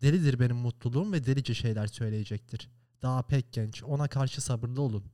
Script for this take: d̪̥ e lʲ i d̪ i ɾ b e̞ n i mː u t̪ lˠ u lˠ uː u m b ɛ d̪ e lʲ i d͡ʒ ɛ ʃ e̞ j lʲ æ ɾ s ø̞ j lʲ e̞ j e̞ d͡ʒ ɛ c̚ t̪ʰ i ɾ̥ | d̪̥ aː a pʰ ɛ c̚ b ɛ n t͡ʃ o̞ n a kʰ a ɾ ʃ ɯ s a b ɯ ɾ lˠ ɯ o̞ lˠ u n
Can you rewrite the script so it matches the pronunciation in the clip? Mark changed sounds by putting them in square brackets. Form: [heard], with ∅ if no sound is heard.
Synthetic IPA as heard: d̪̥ e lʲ i d̪ i ɾ b e̞ n i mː u t̪ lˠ u lˠ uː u m [v] ɛ d̪ e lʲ i d͡ʒ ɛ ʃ e̞ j lʲ æ ɾ s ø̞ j lʲ e̞ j e̞ d͡ʒ ɛ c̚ t̪ʰ i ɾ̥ | d̪̥ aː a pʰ ɛ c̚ [ɟ] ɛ n t͡ʃ o̞ n a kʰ a ɾ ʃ ɯ s a b ɯ ɾ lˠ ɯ o̞ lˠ u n